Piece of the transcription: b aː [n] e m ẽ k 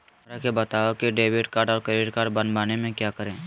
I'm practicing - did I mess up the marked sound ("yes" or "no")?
no